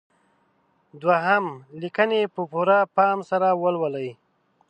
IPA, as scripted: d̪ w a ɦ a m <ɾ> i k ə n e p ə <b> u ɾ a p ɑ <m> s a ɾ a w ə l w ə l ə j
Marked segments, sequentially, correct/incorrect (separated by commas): incorrect, incorrect, correct